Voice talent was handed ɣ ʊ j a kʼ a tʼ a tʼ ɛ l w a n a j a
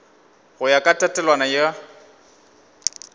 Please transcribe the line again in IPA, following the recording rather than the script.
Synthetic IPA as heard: ɣ ʊ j a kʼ a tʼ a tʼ ɛ l w a n a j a